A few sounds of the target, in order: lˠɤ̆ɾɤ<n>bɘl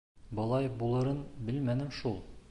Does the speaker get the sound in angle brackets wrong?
no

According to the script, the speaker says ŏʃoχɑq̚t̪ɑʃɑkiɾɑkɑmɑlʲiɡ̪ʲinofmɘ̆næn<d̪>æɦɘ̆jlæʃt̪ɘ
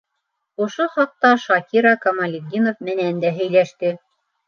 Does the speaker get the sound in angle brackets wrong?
no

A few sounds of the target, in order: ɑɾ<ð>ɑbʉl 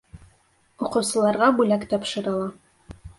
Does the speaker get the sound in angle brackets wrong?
yes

